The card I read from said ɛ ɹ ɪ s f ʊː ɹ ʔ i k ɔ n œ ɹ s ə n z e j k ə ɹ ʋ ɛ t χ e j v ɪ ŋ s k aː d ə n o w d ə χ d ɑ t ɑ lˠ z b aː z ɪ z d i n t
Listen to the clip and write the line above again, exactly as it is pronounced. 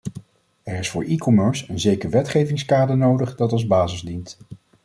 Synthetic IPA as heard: ɛ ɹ ɪ s f ʊː ɹ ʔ i k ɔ m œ ɹ s ə n z e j k ə ɹ ʋ ɛ t χ e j v ɪ ŋ s k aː d ə n o w d ə χ d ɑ t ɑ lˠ z b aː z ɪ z d i n t